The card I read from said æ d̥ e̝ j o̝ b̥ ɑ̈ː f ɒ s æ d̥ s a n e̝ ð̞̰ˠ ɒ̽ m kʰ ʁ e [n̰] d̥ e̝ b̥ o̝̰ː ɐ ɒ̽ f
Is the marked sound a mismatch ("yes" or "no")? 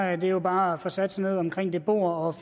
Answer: yes